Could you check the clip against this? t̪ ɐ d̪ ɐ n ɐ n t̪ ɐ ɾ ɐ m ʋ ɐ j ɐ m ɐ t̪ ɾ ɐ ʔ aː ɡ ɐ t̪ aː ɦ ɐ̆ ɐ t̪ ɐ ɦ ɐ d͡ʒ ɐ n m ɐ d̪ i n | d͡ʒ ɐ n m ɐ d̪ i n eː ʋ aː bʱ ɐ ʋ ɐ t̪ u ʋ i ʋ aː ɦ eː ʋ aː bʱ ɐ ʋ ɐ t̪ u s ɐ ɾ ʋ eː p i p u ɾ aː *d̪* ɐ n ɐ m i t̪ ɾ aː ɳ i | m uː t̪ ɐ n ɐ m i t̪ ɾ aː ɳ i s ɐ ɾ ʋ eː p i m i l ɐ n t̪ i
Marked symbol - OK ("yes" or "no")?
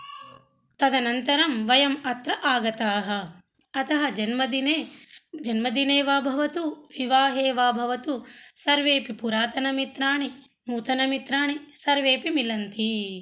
no